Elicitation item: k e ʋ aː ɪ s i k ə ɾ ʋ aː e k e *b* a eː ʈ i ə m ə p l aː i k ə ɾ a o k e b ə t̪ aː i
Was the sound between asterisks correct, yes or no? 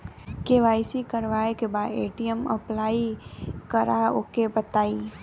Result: yes